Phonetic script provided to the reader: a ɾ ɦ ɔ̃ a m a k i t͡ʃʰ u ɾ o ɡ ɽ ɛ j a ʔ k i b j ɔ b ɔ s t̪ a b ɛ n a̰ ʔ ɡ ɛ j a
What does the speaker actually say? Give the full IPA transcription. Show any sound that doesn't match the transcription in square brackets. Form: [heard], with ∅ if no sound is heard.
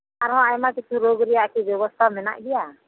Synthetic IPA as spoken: a ɾ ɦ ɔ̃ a m a k i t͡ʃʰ u ɾ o ɡ [ɾ] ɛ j a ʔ k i b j ɔ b ɔ s [t̪ʰ] a [m] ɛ n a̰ ʔ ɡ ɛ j a

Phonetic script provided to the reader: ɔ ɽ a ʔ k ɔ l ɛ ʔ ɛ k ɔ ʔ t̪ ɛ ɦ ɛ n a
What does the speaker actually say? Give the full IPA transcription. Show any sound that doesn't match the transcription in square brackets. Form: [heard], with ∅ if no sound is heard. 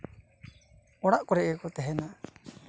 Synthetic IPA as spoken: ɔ ɽ a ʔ k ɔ [ɾ] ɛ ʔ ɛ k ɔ [∅] t̪ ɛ ɦ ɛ n a

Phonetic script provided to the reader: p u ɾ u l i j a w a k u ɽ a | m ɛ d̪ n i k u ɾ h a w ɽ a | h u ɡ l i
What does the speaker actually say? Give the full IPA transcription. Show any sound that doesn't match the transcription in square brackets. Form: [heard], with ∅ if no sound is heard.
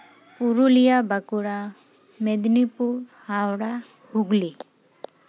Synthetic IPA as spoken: p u ɾ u l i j a [b] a k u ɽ a | m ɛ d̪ n i [p] u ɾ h a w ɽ a | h u ɡ l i

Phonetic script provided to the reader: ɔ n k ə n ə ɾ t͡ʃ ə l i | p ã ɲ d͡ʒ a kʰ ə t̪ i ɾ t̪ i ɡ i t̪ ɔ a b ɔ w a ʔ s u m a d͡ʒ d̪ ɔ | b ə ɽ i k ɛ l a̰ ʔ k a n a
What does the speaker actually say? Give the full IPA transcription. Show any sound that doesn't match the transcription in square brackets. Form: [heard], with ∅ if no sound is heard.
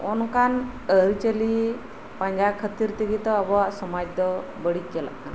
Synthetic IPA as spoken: ɔ n k [a] n ə ɾ t͡ʃ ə l i | p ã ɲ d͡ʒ a kʰ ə t̪ i ɾ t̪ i ɡ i t̪ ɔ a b ɔ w a ʔ s [ɔ] m a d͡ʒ d̪ ɔ | b ə ɽ i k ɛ l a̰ ʔ k a n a

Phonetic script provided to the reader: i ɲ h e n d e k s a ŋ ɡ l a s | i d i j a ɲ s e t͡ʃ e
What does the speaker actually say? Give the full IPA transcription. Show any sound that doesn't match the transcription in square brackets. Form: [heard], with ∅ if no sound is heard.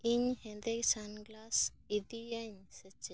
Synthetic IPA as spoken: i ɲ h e n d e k s a [n] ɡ l a s | i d i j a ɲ s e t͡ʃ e

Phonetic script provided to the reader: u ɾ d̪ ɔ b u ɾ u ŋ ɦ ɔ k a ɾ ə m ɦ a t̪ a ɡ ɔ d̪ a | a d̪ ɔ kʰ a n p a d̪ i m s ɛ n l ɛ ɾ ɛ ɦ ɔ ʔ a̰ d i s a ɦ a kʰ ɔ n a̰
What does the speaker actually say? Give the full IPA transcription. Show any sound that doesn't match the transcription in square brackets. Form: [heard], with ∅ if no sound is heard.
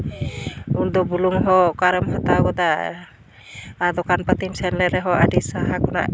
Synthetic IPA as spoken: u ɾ d̪ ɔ b u [l] u ŋ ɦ ɔ k a ɾ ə m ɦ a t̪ a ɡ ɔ d̪ a | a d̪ ɔ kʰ a n p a [t̪] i m s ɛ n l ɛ ɾ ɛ ɦ ɔ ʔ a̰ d i s a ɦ a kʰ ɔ n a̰

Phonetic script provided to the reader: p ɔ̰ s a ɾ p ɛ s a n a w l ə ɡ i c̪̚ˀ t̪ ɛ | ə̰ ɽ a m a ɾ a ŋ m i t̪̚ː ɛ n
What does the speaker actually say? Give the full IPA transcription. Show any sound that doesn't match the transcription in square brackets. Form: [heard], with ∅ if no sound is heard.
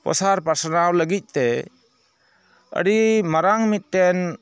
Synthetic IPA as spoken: p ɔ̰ s a ɾ p [a] s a n a w l ə ɡ i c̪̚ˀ t̪ ɛ | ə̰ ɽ [i] m a ɾ a ŋ m i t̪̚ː ɛ n

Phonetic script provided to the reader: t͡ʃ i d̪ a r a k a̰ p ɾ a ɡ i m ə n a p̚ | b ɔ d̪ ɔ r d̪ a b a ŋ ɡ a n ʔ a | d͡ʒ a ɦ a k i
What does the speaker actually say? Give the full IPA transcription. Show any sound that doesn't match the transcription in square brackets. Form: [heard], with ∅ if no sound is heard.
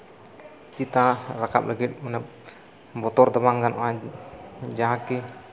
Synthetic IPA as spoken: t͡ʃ i [t̪] a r a k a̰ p [l] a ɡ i m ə n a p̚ | b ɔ [t̪] ɔ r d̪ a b a ŋ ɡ a n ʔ a | d͡ʒ a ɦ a k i

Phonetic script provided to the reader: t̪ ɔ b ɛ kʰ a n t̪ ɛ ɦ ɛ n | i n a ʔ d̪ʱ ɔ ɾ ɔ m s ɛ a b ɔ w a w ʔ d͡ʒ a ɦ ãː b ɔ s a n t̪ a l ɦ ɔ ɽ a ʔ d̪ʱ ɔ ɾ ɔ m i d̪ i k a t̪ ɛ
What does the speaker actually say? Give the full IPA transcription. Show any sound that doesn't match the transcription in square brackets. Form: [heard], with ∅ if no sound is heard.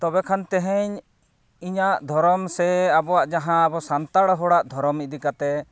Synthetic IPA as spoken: t̪ ɔ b ɛ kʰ a n t̪ ɛ ɦ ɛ [ɲ] | i [ɲ] a ʔ d̪ʱ ɔ ɾ ɔ m s ɛ a b ɔ w a [∅] ʔ d͡ʒ a ɦ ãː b ɔ s a n t̪ a [ɽ] ɦ ɔ ɽ a ʔ d̪ʱ ɔ ɾ ɔ m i d̪ i k a t̪ ɛ

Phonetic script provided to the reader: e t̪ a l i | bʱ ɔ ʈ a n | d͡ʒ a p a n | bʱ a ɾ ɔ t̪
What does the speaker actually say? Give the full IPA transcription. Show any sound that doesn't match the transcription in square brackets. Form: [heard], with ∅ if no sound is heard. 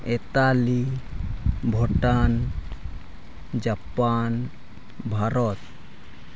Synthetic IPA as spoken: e t̪ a l i | bʱ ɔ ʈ a n | d͡ʒ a p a n | bʱ a ɾ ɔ t̪

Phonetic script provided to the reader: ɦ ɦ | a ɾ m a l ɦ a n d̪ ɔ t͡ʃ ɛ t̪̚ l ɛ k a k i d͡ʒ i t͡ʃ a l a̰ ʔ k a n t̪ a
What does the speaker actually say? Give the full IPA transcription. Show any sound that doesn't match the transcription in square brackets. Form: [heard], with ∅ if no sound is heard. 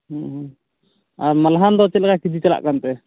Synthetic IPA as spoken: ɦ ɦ | a ɾ m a l ɦ a n d̪ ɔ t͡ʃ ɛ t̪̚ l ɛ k a k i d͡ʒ i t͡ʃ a l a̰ ʔ k a n t̪ [ɛ]

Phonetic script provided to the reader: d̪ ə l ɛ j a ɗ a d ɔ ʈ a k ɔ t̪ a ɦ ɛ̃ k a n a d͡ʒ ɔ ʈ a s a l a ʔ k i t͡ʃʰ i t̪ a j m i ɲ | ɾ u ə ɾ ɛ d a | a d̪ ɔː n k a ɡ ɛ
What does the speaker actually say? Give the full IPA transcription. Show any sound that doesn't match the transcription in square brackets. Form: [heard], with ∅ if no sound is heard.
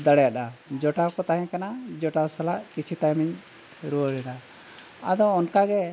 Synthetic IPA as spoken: d̪ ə [ɽ] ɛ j a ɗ a [d͡ʒ] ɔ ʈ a k ɔ t̪ a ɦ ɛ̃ k a n a d͡ʒ ɔ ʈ a s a l a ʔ k i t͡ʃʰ i t̪ a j m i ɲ | ɾ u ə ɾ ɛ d a | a d̪ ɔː n k a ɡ ɛ

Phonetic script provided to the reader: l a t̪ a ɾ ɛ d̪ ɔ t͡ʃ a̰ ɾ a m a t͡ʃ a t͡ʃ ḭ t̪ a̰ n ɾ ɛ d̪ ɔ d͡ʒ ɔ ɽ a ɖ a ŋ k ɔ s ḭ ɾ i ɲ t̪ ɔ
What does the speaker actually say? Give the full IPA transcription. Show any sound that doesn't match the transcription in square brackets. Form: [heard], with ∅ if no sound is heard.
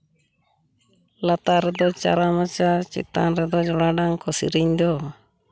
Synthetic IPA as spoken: l a t̪ a ɾ ɛ d̪ ɔ t͡ʃ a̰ ɾ a m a t͡ʃ a t͡ʃ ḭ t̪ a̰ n ɾ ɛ d̪ ɔ d͡ʒ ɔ ɽ a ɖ a ŋ k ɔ s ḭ ɾ i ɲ [d̪] ɔ

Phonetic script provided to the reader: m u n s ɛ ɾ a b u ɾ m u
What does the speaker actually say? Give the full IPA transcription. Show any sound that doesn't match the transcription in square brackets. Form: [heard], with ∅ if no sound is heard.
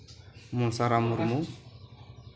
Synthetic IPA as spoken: m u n s [a] ɾ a [m] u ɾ m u

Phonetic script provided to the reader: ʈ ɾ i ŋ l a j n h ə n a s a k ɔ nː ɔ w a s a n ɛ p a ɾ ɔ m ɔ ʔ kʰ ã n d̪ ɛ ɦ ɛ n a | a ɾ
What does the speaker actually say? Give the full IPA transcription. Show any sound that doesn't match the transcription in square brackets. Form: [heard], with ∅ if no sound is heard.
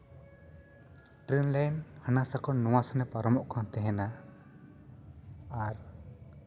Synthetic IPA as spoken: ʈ ɾ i [n] l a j n h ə n a s a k ɔ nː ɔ w a s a n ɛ p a ɾ ɔ m ɔ ʔ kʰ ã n [t̪] ɛ ɦ ɛ n a | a ɾ

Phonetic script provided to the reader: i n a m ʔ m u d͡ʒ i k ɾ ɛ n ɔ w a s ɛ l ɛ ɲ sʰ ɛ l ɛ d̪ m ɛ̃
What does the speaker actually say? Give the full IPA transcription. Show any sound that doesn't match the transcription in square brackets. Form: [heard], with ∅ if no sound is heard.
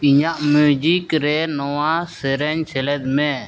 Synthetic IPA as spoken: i [ɲ] a [∅] ʔ m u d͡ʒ i k ɾ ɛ n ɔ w a s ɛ [ɾ] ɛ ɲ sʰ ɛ l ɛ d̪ m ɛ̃

